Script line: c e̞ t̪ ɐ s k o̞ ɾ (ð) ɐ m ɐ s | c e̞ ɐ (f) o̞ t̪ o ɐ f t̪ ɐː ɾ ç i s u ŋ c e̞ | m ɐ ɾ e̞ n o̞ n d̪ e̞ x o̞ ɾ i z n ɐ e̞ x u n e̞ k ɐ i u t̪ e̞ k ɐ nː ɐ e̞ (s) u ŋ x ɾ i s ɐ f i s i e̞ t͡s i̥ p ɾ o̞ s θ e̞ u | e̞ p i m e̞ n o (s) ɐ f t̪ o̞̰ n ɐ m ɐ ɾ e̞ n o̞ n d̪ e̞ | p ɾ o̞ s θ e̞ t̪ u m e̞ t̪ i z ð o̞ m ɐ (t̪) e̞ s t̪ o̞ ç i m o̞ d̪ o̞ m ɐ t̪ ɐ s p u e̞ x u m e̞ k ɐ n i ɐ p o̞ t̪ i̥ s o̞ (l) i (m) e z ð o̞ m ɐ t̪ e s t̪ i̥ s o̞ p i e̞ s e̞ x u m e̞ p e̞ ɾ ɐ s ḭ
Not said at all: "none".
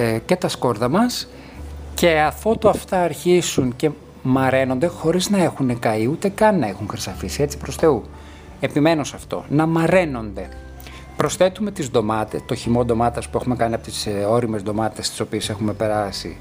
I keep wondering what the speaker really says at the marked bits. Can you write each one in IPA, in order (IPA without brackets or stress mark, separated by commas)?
ð, f, x, s, t̪, ɾ, m